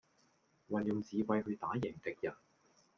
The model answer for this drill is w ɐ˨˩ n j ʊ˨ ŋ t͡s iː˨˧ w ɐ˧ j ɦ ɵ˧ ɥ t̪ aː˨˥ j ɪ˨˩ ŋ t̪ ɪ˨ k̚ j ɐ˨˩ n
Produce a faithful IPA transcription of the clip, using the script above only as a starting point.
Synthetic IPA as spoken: w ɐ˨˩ n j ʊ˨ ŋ t͡s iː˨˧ w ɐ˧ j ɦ ɵ˧ ɥ t̪ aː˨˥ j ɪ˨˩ ŋ t̪ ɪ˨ k̚ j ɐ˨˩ n

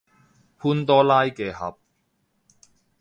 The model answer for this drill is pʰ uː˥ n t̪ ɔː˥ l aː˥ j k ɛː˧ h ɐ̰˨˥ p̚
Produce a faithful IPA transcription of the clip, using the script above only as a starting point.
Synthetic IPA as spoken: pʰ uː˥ n t̪ ɔː˥ l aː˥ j k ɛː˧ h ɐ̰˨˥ p̚

